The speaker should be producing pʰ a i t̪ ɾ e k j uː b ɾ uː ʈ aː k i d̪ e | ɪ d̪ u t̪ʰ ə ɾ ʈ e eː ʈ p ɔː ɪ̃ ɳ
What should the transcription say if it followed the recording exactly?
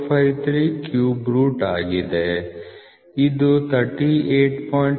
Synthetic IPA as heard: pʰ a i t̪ ɾ i k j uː b ɾ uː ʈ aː ɡ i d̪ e | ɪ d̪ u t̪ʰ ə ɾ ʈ i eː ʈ p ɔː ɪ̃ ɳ